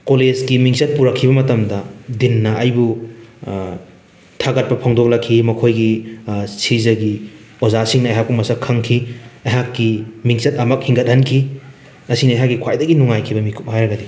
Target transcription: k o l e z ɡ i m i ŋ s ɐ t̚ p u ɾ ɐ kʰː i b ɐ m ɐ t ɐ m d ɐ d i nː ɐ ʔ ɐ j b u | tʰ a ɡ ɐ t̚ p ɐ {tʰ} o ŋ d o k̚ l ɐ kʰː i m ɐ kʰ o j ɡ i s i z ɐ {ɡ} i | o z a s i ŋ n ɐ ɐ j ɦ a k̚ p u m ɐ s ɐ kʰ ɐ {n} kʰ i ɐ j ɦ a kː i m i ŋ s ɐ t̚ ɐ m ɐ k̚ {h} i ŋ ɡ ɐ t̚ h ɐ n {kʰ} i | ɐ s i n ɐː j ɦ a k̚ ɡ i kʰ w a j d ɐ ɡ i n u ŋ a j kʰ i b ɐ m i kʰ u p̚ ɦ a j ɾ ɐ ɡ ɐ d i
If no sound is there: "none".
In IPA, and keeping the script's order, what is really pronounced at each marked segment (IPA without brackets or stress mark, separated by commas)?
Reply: pʰ, ɡ, ŋ, h, kʰ